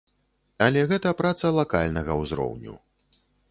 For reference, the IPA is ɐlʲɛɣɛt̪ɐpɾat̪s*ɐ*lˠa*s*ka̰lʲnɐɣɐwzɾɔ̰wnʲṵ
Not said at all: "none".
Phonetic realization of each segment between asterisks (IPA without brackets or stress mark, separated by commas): ɐ, none